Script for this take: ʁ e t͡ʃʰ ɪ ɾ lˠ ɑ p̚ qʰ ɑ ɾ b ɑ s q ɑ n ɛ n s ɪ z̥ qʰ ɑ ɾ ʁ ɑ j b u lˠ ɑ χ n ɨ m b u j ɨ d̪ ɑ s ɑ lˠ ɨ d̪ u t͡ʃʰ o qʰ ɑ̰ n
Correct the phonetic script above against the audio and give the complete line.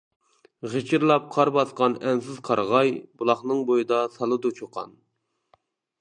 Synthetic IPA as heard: ʁ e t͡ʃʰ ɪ ɾ lˠ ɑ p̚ qʰ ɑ ɾ b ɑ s q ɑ n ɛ n s ɪ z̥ qʰ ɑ ɾ ʁ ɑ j b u lˠ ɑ χ n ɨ ŋ b o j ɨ d̪ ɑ s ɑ lˠ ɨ d̪ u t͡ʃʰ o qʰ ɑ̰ n